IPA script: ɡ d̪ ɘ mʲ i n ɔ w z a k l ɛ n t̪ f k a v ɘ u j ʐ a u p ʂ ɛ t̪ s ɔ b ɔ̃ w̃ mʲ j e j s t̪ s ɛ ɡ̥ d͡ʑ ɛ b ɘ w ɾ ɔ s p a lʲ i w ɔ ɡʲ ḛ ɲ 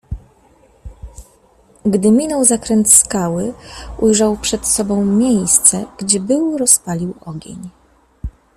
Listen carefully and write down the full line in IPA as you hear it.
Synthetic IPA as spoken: ɡ d̪ ɘ mʲ i n ɔ w z a k ɾ ɛ n t̪ s k a w ɘ u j ʐ a w p ʂ ɛ t̪ s ɔ b ɔ̃ w̃ mʲ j e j s t̪ s ɛ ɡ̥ d͡ʑ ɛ b ɘ w ɾ ɔ s p a lʲ i w ɔ ɡʲ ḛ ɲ